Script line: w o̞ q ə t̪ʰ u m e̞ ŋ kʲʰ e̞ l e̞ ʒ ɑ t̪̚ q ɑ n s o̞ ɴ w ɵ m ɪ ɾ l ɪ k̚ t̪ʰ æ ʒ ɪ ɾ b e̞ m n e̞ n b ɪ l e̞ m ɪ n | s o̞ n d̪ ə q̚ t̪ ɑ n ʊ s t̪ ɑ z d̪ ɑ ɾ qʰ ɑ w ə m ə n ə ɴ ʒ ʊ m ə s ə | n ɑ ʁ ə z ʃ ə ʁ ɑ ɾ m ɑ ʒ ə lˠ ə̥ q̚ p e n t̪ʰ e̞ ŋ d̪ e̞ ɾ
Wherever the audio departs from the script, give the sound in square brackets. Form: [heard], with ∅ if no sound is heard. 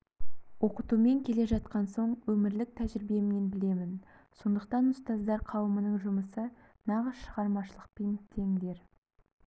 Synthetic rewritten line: w o̞ q ə [t̪] u m e̞ ŋ kʲʰ e̞ l e̞ ʒ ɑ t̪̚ q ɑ n s o̞ ɴ w ɵ m ɪ ɾ l ɪ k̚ t̪ʰ æ ʒ ɪ ɾ b e̞ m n e̞ n b ɪ l e̞ m ɪ n | s o̞ n d̪ ə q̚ t̪ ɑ n ʊ s t̪ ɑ z d̪ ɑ ɾ qʰ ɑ w ə m ə n ə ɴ ʒ ʊ m ə s ə | n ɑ ʁ ə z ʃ ə ʁ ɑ ɾ m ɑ [ʃ] ə lˠ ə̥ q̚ p e n t̪ʰ e̞ ŋ d̪ e̞ ɾ